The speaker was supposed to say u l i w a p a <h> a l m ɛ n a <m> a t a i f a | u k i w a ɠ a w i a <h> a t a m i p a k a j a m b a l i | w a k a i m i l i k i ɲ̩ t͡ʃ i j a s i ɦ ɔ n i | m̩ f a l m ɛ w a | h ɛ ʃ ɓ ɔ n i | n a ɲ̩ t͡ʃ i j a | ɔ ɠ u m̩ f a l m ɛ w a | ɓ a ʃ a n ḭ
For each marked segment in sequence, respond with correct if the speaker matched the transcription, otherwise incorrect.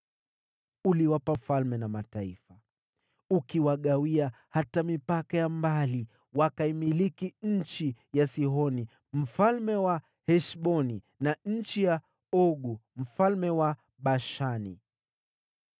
incorrect: f, correct, correct

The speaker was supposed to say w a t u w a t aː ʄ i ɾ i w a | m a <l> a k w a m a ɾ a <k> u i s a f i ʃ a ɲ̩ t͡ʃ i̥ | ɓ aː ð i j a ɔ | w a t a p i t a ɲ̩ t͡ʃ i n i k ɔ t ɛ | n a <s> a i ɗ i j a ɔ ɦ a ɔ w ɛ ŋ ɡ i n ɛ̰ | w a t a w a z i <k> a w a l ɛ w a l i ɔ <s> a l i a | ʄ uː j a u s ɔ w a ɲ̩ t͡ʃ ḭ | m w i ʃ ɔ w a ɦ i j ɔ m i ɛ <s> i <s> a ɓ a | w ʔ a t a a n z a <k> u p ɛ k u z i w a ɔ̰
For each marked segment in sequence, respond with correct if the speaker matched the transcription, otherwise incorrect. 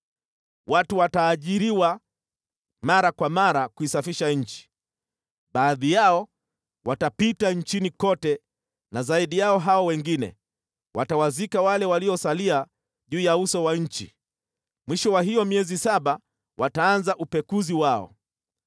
incorrect: ɾ, correct, incorrect: z, correct, correct, incorrect: z, correct, incorrect: ʔ

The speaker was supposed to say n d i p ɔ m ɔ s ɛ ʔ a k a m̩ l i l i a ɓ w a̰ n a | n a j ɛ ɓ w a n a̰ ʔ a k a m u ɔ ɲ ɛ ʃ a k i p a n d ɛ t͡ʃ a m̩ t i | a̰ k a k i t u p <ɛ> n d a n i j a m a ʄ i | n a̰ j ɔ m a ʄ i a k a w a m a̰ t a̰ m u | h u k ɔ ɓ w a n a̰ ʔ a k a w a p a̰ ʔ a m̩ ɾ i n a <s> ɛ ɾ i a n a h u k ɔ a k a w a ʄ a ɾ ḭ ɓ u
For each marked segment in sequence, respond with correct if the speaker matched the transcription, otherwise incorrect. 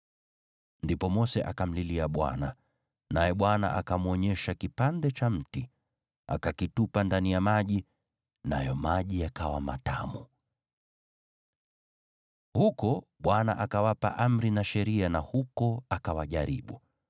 incorrect: a, incorrect: ʃ

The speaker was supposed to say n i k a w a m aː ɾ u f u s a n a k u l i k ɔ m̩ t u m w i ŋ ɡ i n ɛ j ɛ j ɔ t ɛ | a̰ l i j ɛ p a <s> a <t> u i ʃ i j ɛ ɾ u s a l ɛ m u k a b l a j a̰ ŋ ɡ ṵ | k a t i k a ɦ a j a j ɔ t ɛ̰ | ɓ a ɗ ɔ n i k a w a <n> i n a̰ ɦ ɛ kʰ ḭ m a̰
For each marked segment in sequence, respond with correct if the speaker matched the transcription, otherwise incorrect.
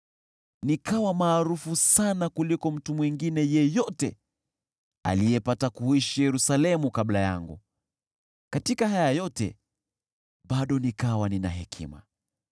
incorrect: t, incorrect: k, correct

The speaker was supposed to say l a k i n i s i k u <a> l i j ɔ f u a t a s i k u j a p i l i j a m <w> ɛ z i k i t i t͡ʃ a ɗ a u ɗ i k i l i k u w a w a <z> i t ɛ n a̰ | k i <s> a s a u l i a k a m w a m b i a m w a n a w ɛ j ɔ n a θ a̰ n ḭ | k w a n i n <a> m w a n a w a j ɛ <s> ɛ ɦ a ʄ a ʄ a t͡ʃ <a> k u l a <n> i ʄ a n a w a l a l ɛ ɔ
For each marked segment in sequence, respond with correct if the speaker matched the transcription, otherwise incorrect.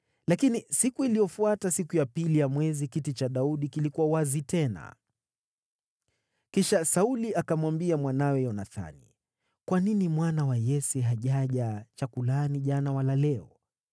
incorrect: i, correct, correct, incorrect: ʃ, incorrect: i, correct, correct, correct

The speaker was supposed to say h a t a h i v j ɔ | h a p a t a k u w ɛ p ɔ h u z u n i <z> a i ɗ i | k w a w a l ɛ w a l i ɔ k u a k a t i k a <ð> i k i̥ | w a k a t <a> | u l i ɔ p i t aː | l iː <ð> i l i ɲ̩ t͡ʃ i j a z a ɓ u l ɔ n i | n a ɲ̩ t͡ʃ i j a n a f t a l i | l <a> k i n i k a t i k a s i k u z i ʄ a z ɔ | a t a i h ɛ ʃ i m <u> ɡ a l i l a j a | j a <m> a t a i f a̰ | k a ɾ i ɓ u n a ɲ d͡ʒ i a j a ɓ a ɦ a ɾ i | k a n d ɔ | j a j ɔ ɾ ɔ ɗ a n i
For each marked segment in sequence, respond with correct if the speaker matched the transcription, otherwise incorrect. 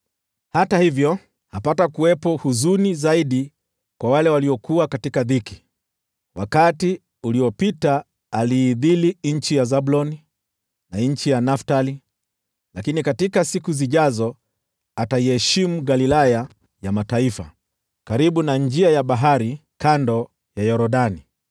correct, correct, incorrect: i, correct, correct, correct, correct

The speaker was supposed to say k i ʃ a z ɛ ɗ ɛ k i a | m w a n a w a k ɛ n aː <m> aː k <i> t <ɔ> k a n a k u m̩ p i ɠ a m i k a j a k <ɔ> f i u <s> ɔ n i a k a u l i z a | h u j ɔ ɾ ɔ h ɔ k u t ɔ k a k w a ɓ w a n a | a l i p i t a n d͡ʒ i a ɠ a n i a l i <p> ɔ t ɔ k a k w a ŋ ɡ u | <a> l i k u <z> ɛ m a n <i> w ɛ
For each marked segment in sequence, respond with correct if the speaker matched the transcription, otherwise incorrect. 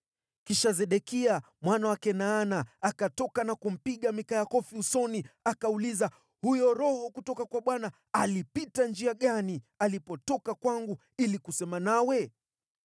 incorrect: n, incorrect: a, correct, correct, correct, correct, incorrect: i, incorrect: s, incorrect: a

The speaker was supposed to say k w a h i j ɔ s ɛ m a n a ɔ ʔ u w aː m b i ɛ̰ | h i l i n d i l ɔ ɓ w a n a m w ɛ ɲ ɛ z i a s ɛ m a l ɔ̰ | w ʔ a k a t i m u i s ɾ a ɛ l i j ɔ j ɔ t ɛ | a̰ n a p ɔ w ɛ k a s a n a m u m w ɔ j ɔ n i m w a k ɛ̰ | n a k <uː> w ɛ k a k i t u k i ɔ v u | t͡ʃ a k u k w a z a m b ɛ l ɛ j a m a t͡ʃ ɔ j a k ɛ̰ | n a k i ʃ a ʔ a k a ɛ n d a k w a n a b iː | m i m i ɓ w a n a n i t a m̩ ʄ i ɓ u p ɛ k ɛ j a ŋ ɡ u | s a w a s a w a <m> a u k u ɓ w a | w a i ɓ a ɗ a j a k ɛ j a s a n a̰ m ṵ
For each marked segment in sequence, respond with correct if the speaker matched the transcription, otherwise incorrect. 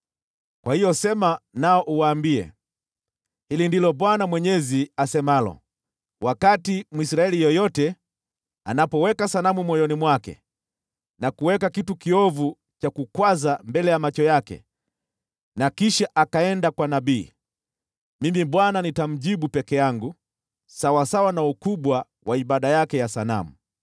incorrect: u, incorrect: n

